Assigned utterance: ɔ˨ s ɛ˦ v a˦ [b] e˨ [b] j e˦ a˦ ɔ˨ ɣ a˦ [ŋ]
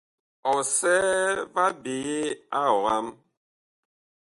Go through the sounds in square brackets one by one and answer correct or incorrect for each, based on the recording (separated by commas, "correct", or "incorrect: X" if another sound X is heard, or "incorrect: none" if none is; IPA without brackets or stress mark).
correct, incorrect: none, incorrect: m